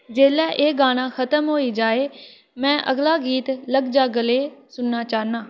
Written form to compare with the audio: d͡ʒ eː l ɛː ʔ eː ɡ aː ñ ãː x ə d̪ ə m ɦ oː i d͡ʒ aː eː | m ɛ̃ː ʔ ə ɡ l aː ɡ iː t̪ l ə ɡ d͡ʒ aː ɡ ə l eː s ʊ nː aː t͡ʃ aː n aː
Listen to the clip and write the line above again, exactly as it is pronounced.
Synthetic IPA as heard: d͡ʒ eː l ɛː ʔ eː ɡ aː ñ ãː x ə t̪ ə m ɦ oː i d͡ʒ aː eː | m ɛ̃ː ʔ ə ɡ l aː ɡ iː t̪ l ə ɡ d͡ʒ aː ɡ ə l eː s ʊ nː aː t͡ʃ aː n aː